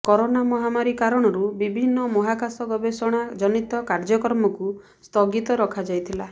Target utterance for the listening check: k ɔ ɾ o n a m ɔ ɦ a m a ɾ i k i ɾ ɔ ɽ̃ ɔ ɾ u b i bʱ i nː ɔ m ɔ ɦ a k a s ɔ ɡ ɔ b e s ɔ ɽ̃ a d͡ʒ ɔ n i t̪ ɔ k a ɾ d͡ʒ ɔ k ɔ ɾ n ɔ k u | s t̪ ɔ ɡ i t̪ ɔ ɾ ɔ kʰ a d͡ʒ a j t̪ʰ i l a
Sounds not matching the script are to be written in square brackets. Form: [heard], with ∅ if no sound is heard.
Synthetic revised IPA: k ɔ ɾ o n a m ɔ ɦ a m a ɾ i k [a] ɾ ɔ ɽ̃ ɔ ɾ u b i bʱ i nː ɔ m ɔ ɦ a k a s ɔ ɡ ɔ b e s ɔ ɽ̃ a d͡ʒ ɔ n i t̪ ɔ k a ɾ d͡ʒ ɔ k ɔ ɾ [m] ɔ k u | s t̪ ɔ ɡ i t̪ ɔ ɾ ɔ kʰ a d͡ʒ a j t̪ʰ i l a